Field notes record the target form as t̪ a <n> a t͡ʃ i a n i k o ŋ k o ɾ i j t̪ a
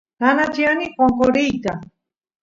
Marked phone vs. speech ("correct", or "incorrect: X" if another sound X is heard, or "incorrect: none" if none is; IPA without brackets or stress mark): correct